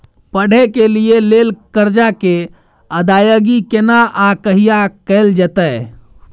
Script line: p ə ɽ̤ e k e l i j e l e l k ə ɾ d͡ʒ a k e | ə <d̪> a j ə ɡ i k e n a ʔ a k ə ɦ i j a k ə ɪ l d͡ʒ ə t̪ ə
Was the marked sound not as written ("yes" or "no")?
no